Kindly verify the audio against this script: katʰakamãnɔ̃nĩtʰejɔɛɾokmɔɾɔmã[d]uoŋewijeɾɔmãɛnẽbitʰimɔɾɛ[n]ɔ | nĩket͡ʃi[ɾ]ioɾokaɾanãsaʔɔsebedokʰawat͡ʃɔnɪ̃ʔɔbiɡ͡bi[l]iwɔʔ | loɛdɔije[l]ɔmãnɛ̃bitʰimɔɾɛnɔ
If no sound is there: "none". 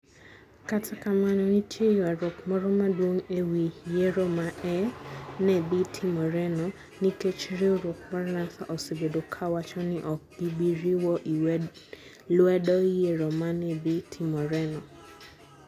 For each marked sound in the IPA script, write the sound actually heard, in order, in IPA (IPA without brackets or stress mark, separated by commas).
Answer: d, n, ɾ, ɾ, ɾ